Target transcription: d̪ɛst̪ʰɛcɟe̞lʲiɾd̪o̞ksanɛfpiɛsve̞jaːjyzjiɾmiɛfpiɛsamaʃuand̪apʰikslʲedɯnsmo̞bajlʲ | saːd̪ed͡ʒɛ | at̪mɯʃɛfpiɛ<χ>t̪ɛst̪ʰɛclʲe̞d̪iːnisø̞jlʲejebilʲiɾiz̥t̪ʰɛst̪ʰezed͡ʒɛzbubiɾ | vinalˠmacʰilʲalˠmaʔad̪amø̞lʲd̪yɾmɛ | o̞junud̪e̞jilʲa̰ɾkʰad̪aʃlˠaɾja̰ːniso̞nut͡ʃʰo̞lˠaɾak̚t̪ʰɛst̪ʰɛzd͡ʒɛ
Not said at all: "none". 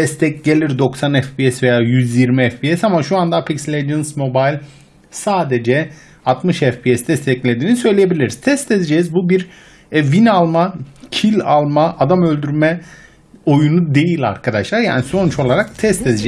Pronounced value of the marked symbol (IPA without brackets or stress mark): s